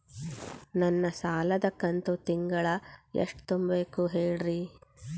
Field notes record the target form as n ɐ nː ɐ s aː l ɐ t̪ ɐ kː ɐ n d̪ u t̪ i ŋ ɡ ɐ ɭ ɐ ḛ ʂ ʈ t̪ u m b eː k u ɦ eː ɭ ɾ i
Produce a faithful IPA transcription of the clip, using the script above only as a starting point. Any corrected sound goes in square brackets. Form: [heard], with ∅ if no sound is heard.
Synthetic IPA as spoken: n ɐ nː ɐ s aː l ɐ [d̪] ɐ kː ɐ n [t̪] u t̪ i ŋ ɡ ɐ ɭ ɐ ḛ ʂ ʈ t̪ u m b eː k u ɦ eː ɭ ɾ i

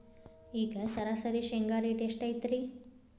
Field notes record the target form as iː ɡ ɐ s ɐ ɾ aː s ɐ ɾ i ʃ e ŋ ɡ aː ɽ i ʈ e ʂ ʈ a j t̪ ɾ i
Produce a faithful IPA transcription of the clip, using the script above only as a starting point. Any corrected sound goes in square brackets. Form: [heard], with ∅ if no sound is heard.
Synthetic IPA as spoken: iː ɡ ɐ s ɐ ɾ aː s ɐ ɾ i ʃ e ŋ ɡ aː [ɾ] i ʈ e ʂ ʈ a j t̪ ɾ i

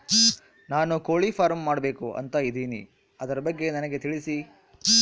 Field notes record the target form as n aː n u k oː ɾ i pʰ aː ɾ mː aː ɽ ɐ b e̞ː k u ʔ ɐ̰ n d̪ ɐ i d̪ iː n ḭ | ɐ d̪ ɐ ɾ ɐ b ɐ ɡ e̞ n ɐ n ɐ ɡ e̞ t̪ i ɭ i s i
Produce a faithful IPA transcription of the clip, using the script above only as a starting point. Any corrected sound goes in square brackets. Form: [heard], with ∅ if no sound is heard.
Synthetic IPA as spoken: n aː n u k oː [ɭ] i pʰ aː ɾ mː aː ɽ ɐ b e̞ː k u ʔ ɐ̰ n [t̪] ɐ i d̪ iː n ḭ | ɐ d̪ ɐ ɾ ɐ b ɐ [ɡː] e̞ n ɐ n ɐ ɡ e̞ t̪ i ɭ i s i

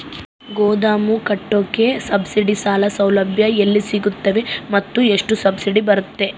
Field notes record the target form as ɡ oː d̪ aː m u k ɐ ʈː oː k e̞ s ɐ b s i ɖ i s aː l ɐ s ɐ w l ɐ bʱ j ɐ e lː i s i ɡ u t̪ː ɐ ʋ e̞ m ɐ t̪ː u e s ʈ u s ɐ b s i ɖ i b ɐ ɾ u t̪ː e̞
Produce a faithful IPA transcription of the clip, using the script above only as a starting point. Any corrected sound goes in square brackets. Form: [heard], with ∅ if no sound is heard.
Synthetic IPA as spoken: ɡ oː d̪ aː m u k ɐ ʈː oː k e̞ s ɐ b s i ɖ i s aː l ɐ s ɐ w l ɐ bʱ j ɐ e lː i s i ɡ u t̪ː ɐ ʋ e̞ m ɐ t̪ː u e [ʂ] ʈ u s ɐ b s i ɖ i b ɐ ɾ u t̪ː e̞

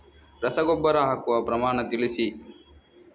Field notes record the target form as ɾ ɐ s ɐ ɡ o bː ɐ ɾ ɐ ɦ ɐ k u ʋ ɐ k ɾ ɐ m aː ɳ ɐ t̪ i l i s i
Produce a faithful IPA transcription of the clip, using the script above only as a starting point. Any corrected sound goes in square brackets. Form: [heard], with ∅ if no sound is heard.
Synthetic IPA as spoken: ɾ ɐ s ɐ ɡ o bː ɐ ɾ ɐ ɦ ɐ k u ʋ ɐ [p] ɾ ɐ m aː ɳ ɐ t̪ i l i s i

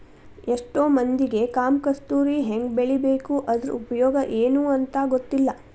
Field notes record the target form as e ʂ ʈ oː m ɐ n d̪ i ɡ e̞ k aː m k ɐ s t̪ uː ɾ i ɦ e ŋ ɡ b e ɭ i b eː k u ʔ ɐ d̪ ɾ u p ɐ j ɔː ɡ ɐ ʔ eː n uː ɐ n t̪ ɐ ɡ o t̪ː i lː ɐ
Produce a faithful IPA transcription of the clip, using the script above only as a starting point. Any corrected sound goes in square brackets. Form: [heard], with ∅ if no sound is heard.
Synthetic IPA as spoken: e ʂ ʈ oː m ɐ n d̪ i ɡ e̞ k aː m k ɐ s t̪ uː ɾ i ɦ e ŋ ɡ b e ɭ i b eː k u ʔ ɐ d̪ ɾ u p ɐ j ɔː ɡ ɐ ʔ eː n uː ɐ n t̪ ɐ ɡ o t̪ː i lː ɐ

